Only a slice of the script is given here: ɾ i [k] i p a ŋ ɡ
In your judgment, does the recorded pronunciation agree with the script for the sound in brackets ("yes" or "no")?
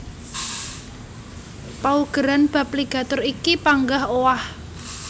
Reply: yes